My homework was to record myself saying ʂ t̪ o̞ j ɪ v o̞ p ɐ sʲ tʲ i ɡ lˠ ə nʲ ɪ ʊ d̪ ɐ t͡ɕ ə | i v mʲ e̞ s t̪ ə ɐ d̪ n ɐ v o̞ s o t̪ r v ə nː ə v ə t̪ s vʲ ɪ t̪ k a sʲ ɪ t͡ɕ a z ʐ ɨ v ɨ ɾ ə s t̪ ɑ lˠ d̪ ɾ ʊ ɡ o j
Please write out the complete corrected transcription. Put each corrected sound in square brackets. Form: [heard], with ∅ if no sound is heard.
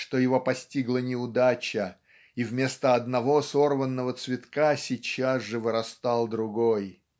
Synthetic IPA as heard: ʂ t̪ o̞ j ɪ v o̞ p ɐ sʲ tʲ i ɡ lˠ ə nʲ ɪ ʊ d̪ [a] t͡ɕ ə | i v mʲ e̞ s t̪ ə ɐ d̪ n ɐ v o̞ s o [∅] r v ə nː ə v ə t̪ s vʲ ɪ t̪ k a sʲ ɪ t͡ɕ a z ʐ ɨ v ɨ ɾ [ɐ] s t̪ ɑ lˠ d̪ ɾ ʊ ɡ o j

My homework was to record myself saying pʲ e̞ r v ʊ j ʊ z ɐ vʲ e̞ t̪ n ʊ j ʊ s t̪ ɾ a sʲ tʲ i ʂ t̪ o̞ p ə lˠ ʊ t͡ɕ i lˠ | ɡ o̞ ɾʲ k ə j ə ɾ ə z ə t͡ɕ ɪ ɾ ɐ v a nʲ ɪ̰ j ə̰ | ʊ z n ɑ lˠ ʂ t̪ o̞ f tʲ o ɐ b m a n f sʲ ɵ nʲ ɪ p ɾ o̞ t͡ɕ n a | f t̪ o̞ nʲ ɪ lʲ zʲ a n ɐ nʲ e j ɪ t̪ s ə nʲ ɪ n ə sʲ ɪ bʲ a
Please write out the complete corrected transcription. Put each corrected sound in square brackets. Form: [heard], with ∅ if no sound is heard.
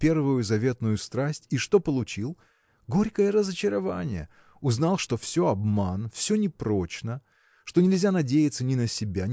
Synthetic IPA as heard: pʲ e̞ r v ʊ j ʊ z ɐ vʲ e̞ t̪ n ʊ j ʊ s t̪ ɾ a sʲ tʲ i ʂ t̪ o̞ p ə lˠ ʊ t͡ɕ i lˠ | ɡ o̞ ɾʲ k ə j ə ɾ ə z ə t͡ɕ ɪ ɾ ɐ v a nʲ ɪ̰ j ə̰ | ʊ z n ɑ lˠ ʂ t̪ o̞ f [sʲ] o ɐ b m a n f sʲ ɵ nʲ ɪ p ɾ o̞ t͡ɕ n [ə] | [ʂ] t̪ o̞ nʲ ɪ lʲ zʲ a n ɐ [dʲ] e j ɪ t̪ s ə nʲ ɪ n ə sʲ ɪ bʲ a

